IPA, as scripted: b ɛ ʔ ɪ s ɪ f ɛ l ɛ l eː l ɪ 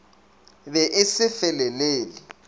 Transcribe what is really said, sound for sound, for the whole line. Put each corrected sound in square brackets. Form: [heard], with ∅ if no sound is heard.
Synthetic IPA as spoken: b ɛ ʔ ɪ s ɪ f ɛ l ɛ l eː l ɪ